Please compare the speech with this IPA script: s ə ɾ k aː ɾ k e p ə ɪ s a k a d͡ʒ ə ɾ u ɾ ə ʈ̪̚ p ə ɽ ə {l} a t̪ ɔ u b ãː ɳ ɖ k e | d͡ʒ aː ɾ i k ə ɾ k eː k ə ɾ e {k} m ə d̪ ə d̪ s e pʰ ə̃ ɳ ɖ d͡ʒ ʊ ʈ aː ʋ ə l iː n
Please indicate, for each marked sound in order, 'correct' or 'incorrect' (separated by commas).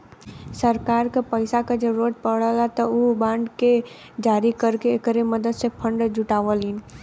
correct, incorrect